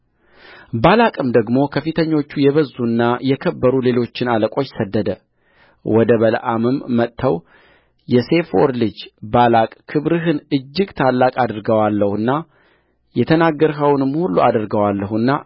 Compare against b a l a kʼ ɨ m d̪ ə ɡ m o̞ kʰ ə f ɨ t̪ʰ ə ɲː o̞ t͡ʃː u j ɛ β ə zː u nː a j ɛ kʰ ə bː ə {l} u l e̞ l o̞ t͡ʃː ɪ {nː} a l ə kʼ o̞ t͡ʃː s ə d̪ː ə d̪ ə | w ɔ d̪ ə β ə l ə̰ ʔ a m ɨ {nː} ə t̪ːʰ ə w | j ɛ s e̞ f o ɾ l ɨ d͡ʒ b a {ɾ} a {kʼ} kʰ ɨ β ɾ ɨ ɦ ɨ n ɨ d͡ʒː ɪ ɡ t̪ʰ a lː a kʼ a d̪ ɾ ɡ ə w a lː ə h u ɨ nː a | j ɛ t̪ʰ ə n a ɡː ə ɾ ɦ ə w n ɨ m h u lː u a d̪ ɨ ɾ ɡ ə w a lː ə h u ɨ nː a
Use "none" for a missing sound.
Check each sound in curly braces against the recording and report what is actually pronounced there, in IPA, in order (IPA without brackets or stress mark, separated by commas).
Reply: ɾ, n, mː, l, kʼ